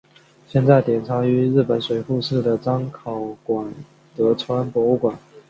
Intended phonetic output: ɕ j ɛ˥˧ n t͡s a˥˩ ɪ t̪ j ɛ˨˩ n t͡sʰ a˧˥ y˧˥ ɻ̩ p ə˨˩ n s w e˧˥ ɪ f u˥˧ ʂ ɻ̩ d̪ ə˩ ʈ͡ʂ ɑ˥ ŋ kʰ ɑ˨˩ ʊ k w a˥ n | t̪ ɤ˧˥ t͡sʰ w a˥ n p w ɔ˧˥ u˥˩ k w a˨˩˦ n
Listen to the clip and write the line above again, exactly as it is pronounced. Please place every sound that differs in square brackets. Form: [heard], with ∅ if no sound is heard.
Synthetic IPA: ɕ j ɛ˥˧ n t͡s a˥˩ ɪ t̪ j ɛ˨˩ n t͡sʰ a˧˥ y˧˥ ɻ̩ p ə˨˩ n s w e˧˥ ɪ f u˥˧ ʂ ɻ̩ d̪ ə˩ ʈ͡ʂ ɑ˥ ŋ kʰ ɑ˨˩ ʊ k w [a˨˩] n | t̪ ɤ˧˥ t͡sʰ w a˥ n p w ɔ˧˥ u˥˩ k w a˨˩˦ n